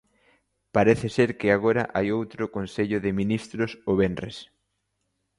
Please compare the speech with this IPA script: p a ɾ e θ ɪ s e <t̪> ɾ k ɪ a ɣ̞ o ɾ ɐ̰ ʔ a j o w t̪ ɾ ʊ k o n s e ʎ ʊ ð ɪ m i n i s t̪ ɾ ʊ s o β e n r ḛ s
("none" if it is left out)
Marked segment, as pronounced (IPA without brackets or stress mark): none